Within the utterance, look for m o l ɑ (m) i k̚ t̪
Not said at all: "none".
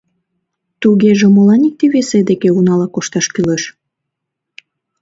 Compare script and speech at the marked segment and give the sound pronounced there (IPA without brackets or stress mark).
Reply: n